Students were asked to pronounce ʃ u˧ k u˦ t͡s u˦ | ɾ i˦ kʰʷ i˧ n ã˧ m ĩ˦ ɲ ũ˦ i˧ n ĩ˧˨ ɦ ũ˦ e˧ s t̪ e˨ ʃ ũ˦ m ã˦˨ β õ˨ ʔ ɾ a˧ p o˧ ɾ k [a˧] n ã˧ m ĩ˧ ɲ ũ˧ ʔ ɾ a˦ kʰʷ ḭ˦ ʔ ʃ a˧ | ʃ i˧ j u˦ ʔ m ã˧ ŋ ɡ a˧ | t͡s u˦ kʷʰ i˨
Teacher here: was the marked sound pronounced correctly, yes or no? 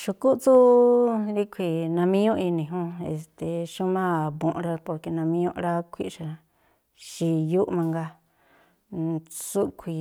no